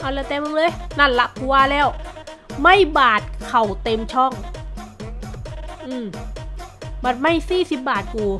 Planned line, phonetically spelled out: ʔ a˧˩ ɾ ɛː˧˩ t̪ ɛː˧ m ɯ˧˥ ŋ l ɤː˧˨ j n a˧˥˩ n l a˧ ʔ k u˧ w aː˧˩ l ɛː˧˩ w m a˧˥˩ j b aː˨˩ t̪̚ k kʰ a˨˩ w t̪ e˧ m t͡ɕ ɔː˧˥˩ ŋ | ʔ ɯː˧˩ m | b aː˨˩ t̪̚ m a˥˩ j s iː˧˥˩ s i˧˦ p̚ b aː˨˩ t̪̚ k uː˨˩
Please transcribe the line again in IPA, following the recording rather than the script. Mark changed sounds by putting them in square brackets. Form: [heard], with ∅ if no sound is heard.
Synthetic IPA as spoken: ʔ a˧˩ [l] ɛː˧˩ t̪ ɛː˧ m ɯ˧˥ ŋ l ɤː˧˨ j n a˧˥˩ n l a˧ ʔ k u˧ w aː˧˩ l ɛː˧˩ w m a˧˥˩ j b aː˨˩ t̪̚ k kʰ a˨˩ w t̪ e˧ m [t͡ɕʰ] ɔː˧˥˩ ŋ | ʔ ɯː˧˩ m | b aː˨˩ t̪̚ m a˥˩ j s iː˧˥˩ s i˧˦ p̚ b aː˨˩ t̪̚ k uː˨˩